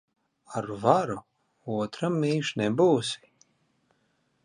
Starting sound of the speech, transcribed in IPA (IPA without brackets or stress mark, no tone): a